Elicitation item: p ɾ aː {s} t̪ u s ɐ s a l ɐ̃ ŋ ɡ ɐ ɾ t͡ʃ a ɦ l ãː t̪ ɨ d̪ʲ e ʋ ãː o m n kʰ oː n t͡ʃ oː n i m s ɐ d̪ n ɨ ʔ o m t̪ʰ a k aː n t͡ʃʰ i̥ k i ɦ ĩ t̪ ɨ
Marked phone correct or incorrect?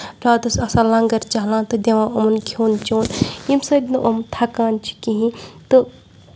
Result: incorrect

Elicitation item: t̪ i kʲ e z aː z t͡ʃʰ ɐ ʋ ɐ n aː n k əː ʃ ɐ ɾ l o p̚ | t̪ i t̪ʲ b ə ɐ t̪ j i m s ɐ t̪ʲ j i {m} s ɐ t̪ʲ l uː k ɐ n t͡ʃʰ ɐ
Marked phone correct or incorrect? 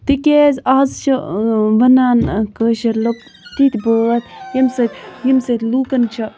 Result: correct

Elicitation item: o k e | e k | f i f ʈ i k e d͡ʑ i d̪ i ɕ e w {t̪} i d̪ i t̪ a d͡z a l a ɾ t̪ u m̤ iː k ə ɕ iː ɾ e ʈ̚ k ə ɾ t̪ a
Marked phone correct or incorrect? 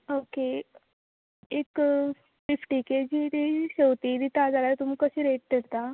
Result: correct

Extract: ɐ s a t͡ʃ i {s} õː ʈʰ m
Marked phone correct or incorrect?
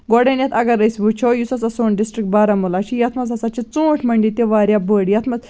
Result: incorrect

